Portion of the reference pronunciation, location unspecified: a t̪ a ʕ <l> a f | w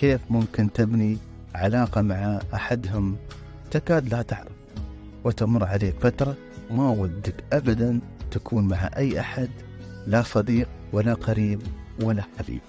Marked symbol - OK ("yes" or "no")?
no